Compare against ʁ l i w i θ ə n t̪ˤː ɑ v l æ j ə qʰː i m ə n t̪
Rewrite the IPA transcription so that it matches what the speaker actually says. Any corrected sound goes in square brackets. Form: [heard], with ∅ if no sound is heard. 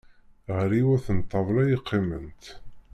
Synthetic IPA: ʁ [ɾ] i w [æ] θ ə n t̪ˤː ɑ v l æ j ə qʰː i m ə n t̪